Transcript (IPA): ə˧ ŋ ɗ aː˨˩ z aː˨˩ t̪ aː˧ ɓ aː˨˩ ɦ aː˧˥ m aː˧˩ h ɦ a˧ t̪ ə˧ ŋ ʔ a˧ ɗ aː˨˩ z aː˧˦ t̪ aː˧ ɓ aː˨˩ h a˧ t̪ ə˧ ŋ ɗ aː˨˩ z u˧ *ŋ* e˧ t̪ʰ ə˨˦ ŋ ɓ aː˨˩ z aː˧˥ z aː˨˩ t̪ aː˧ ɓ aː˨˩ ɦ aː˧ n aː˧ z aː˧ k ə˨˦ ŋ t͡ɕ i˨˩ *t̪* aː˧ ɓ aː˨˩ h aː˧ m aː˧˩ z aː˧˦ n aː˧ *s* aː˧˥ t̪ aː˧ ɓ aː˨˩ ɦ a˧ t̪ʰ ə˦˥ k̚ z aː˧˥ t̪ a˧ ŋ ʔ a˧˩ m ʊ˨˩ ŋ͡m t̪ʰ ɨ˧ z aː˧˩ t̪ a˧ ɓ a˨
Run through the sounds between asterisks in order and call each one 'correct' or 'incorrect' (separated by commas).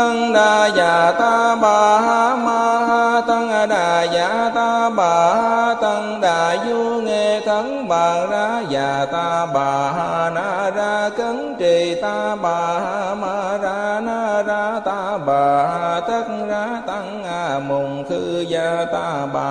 correct, correct, incorrect